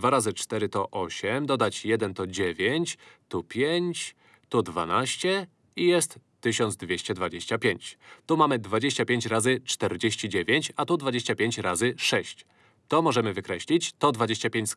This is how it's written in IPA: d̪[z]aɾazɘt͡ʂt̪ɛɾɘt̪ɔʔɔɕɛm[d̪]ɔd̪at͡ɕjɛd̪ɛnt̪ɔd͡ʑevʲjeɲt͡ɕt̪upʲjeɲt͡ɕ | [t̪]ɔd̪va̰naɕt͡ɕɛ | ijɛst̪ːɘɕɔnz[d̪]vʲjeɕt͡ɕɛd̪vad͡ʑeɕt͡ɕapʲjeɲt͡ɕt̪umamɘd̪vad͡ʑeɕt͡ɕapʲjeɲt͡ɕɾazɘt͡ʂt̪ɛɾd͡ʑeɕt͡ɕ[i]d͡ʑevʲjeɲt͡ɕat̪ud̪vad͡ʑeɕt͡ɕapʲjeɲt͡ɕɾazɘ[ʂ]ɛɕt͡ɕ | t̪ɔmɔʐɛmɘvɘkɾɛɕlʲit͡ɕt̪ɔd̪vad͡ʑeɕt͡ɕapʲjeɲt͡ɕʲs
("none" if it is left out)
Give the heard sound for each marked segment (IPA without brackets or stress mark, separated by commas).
v, d̪, t̪, d̪, i, ʂ